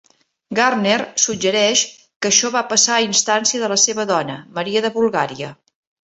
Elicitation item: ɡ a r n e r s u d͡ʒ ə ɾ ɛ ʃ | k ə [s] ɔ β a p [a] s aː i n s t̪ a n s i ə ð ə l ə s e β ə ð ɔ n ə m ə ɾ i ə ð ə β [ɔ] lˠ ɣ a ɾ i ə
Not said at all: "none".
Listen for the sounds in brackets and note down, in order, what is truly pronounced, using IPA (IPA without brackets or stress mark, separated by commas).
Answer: ʃ, ə, u